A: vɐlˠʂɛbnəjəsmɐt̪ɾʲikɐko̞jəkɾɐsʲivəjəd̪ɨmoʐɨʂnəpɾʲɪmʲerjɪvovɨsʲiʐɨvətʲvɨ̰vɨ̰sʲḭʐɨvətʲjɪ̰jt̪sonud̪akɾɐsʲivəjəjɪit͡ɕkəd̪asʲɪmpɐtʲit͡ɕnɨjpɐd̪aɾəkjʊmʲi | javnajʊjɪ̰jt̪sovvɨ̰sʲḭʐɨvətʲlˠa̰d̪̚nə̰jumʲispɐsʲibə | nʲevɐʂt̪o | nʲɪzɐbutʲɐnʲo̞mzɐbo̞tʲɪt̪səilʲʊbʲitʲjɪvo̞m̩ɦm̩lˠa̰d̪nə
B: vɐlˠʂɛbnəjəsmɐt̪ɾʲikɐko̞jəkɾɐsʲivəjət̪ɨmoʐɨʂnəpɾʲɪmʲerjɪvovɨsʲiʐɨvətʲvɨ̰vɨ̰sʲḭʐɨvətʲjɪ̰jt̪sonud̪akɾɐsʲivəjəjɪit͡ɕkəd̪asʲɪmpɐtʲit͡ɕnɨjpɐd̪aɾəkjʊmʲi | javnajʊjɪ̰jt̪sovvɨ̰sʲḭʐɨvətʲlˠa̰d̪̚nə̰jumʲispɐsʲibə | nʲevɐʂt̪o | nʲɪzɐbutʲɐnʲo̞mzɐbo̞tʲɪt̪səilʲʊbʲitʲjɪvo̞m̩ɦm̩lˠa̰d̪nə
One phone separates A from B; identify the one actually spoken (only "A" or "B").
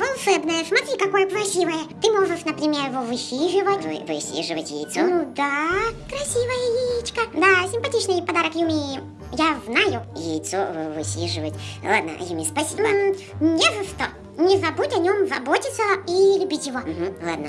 B